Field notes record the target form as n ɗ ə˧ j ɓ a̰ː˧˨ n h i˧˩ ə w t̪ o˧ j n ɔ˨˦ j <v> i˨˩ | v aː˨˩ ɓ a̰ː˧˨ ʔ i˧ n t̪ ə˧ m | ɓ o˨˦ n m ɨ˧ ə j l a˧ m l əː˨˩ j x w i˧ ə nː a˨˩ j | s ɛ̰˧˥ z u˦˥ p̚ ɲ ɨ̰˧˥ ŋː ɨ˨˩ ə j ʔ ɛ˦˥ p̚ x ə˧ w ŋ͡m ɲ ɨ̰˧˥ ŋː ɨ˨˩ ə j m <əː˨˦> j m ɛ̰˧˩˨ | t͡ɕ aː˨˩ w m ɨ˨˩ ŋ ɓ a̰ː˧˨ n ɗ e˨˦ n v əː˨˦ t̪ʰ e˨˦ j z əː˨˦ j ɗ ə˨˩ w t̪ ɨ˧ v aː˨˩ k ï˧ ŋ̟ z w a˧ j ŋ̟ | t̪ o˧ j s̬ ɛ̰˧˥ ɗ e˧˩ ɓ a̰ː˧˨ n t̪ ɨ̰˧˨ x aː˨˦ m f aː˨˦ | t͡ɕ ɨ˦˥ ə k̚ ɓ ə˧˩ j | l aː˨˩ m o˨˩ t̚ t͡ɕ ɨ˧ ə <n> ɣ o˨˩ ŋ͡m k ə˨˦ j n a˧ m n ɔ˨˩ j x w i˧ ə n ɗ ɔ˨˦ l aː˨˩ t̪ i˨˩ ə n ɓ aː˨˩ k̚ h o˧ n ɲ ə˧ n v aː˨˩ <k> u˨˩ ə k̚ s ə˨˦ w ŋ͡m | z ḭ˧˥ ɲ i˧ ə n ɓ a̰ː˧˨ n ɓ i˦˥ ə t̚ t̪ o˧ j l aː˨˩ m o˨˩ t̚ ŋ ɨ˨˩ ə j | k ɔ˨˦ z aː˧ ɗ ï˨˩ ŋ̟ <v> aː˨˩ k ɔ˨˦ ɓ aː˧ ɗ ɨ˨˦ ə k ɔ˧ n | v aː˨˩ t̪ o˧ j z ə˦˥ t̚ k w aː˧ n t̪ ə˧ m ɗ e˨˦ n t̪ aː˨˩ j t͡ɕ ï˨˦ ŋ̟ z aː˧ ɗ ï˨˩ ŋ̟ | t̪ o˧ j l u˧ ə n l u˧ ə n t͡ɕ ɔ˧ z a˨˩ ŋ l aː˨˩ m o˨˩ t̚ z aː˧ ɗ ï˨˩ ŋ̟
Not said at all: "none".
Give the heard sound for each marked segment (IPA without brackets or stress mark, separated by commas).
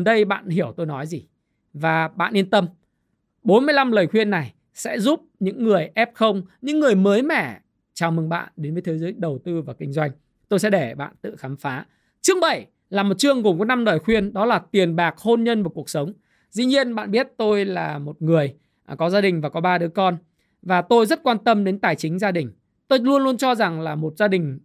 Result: z, əː˨˦, ŋ, k, v